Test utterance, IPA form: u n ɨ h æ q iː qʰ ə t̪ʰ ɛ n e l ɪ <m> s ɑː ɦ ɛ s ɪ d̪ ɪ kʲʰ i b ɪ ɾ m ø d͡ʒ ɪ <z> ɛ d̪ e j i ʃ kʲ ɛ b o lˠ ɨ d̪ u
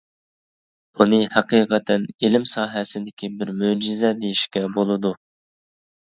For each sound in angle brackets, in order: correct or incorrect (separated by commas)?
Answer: correct, correct